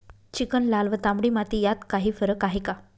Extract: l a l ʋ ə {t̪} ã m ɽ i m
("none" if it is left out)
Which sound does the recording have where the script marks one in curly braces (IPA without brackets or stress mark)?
t̪